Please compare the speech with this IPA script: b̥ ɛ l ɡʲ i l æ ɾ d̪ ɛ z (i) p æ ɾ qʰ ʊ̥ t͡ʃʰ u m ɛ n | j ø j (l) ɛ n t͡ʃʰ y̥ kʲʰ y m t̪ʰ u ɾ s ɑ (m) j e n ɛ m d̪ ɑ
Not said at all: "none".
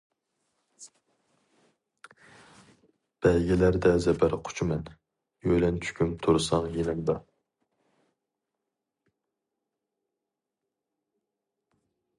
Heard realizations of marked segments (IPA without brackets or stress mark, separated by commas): ɛ, l, ŋ